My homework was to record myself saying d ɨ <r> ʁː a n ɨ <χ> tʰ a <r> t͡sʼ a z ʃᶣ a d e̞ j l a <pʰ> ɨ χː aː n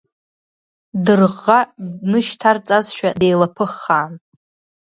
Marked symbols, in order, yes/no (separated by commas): yes, no, yes, yes